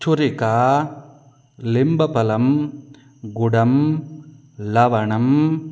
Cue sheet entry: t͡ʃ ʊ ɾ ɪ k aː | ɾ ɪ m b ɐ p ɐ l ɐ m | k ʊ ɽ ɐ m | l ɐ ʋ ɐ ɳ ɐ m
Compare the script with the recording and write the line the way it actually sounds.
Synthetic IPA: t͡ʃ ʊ ɾ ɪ k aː | l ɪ m b ɐ p ɐ l ɐ m | ɡ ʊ ɽ ɐ m | l ɐ ʋ ɐ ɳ ɐ m